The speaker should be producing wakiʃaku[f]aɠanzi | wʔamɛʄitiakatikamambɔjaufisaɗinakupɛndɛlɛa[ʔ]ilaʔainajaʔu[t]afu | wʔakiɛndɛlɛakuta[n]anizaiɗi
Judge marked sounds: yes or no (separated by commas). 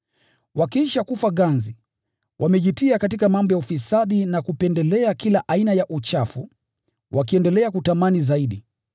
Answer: yes, no, no, no